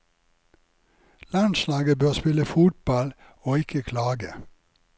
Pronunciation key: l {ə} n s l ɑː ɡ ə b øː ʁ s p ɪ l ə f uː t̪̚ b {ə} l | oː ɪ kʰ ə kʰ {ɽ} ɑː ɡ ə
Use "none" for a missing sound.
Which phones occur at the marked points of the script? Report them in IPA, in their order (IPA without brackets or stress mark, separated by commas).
ɑ, ɑ, l